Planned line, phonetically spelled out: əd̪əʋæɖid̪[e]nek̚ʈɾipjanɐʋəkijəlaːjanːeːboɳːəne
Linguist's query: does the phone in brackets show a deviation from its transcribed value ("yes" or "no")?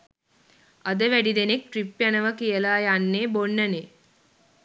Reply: no